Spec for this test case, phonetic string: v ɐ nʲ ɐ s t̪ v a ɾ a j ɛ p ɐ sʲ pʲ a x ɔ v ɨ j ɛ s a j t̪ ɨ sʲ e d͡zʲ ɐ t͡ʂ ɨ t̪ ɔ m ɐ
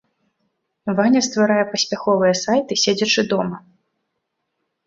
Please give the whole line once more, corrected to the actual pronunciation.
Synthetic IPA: v a nʲ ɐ s t̪ v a ɾ a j ɛ p ɐ sʲ pʲ a x ɔ v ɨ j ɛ s a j t̪ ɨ sʲ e d͡zʲ ɐ t͡ʂ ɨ d̪ ɔ m ɐ